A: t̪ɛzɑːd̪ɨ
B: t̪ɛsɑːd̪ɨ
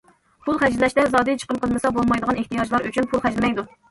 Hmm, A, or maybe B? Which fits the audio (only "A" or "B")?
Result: A